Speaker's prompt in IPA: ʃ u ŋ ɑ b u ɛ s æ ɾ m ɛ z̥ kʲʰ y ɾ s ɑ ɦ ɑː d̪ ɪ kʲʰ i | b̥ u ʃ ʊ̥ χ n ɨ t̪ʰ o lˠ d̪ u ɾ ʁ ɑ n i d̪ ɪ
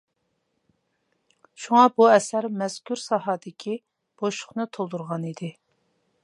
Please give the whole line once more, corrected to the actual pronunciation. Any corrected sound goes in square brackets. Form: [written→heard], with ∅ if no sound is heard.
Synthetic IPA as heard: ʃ u ŋ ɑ b u ɛ s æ ɾ m ɛ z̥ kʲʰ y ɾ s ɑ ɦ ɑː d̪ ɪ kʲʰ i | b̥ [u→o] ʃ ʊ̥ χ n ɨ t̪ʰ o lˠ d̪ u ɾ ʁ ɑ n i d̪ ɪ